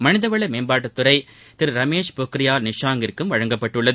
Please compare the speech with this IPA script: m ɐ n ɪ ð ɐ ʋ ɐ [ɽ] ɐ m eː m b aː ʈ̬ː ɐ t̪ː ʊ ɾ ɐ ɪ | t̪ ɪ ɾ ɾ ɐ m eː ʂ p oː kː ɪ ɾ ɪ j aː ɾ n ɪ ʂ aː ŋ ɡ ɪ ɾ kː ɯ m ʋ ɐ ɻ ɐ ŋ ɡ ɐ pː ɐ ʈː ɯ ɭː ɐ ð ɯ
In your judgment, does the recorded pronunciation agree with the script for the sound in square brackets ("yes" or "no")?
no